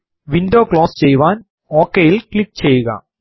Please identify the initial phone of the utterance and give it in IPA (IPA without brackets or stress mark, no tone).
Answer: ʋ